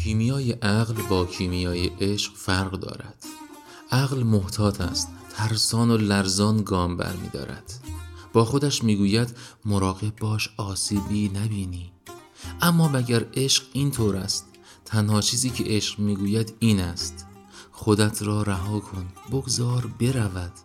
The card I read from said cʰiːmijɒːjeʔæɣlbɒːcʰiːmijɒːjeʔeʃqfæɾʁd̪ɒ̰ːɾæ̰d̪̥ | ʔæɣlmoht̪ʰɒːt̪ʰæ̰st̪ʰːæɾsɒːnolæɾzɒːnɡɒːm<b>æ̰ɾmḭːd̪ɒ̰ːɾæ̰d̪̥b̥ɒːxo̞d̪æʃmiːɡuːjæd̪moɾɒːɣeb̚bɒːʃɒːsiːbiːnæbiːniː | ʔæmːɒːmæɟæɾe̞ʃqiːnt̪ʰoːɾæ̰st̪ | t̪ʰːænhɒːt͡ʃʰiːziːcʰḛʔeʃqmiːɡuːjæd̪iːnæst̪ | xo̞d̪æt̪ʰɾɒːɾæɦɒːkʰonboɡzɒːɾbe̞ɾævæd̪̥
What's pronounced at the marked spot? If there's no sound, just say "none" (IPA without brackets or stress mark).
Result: b